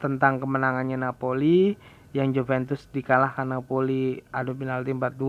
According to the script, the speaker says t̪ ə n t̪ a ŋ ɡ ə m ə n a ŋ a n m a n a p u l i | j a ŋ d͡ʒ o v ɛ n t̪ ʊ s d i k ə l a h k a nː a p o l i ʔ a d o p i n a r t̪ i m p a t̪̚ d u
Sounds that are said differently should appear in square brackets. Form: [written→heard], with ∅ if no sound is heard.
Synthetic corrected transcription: t̪ ə n t̪ a ŋ [ɡ→k] ə m ə n a ŋ a n [m→ɲ] a n a p [u→o] l i | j a ŋ d͡ʒ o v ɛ n t̪ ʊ s d i k [ə→a] l a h k a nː a p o l i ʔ a d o p i n a [r→l] t̪ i m p a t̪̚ d u